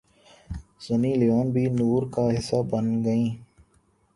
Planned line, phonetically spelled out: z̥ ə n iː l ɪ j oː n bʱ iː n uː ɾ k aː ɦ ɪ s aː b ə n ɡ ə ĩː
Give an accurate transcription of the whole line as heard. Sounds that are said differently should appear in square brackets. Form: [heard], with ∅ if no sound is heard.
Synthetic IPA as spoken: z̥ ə n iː l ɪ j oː n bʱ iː n uː ɾ k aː ɦ ɪ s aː b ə n ɡ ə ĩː